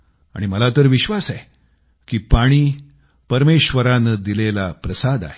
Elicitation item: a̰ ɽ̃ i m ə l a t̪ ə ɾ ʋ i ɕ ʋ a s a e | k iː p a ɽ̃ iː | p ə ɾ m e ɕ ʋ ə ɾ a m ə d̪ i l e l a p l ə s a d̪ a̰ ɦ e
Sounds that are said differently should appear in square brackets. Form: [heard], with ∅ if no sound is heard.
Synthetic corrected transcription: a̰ ɽ̃ i m ə l a t̪ ə ɾ ʋ i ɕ ʋ a s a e | k iː p a ɽ̃ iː | p ə ɾ m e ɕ ʋ ə ɾ a [n] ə d̪ i l e l a p [ɾ] ə s a d̪ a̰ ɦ e